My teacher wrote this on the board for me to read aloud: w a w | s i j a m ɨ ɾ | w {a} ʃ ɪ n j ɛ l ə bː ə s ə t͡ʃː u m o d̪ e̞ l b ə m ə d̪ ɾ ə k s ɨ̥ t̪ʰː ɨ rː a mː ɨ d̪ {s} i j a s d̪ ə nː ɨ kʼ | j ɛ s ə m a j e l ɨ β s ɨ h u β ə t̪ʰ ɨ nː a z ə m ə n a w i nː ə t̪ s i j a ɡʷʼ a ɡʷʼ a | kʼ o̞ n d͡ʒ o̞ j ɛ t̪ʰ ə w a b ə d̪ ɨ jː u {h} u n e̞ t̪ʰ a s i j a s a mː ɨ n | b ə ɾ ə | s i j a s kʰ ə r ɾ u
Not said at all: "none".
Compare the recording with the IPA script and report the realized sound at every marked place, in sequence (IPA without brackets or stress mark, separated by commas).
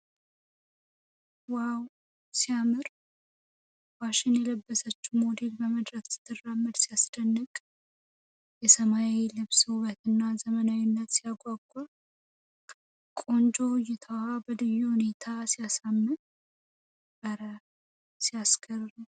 a, s, h